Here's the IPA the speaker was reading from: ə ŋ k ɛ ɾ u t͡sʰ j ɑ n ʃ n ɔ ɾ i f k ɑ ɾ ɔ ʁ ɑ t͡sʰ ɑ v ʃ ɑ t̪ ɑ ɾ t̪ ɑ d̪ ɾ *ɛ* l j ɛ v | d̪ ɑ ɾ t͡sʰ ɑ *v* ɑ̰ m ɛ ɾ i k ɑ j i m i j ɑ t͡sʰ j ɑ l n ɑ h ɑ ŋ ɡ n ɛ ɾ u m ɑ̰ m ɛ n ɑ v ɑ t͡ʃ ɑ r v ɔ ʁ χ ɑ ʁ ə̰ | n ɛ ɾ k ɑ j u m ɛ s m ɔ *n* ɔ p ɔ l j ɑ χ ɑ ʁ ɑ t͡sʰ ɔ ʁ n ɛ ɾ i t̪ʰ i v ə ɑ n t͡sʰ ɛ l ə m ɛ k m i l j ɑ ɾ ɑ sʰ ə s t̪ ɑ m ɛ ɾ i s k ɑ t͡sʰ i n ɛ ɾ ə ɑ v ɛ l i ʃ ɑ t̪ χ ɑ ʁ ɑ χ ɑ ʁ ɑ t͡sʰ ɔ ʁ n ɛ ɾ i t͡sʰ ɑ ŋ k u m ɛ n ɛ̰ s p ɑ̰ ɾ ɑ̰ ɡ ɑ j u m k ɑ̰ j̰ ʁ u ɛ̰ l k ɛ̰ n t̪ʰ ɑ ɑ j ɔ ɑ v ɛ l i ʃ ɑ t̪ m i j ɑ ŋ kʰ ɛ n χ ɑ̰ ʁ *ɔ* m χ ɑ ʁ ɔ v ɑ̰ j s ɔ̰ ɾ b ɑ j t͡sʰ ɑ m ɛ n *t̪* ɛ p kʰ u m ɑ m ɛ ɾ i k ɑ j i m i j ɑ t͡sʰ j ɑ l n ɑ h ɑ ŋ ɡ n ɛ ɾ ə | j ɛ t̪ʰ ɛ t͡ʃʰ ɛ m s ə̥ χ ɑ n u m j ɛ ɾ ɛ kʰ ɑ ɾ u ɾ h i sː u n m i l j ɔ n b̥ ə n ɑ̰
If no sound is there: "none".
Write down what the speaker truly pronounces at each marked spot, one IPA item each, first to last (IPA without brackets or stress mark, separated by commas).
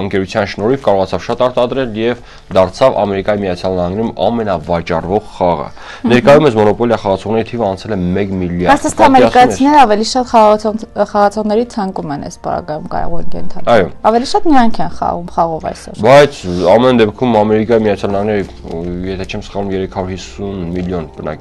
ɛ, v, n, u, d̪